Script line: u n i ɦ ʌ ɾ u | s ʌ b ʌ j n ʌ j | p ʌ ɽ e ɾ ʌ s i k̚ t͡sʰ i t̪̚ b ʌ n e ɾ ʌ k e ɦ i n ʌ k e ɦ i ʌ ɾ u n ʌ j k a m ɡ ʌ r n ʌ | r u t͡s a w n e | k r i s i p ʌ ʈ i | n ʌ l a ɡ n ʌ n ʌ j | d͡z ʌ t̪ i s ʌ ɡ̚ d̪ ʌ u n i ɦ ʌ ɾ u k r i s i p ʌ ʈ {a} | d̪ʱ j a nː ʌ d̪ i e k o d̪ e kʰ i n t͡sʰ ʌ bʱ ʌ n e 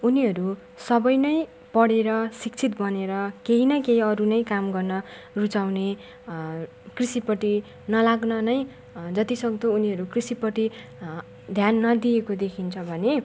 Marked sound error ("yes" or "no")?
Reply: yes